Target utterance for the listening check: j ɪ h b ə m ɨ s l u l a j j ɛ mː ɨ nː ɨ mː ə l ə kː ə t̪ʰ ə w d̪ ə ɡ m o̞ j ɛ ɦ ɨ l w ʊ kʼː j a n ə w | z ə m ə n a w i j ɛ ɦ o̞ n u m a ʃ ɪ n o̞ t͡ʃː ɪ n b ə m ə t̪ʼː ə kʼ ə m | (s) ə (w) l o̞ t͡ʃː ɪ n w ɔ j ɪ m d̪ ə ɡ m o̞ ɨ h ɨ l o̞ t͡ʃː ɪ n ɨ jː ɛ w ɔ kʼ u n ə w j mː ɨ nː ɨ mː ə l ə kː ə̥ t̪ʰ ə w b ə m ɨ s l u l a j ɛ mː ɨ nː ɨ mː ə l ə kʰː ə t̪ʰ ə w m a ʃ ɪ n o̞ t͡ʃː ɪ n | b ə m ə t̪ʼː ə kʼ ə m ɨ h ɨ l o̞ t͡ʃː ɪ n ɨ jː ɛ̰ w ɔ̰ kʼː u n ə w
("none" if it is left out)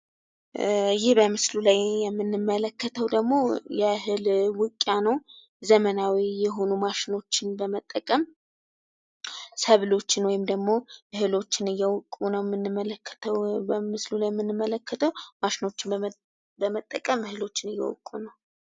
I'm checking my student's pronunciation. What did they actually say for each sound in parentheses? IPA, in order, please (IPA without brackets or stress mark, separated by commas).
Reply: s, β